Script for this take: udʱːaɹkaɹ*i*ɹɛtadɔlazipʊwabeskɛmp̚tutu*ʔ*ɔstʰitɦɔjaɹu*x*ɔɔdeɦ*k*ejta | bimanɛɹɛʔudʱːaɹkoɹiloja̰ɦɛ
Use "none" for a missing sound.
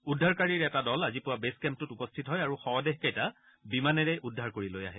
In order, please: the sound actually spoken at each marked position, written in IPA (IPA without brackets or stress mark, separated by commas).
i, p, x, k